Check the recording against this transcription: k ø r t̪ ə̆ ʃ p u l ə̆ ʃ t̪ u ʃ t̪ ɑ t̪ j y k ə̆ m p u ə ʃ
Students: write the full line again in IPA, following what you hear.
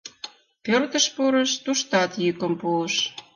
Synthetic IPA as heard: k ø r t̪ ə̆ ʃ p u ɾ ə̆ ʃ t̪ u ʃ t̪ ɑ t̪ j y k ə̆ m p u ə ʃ